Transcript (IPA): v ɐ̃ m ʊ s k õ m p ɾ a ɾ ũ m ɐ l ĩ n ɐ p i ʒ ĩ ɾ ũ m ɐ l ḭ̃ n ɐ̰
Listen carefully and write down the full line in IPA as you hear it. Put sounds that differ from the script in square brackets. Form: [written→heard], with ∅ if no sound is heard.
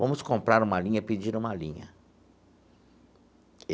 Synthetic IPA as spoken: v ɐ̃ m ʊ s k õ m p ɾ a ɾ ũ m ɐ l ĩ [n→ɲ] ɐ p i [ʒ→d͡ʒ] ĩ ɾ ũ m ɐ l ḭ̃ [n→ɲ] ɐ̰